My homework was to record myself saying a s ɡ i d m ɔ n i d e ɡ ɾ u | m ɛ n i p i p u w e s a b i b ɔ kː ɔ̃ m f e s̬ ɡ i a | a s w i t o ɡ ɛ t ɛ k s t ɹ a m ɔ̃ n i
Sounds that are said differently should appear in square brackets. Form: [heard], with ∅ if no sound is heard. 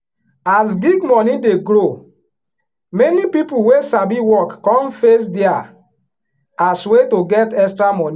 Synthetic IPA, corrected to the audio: a s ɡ i [ɡ] m ɔ n i d e ɡ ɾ [o] | m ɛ n i p i p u w e s a b i [w] ɔ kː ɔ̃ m f e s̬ [d] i a | a s w [e] t o ɡ ɛ t ɛ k s t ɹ a m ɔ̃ n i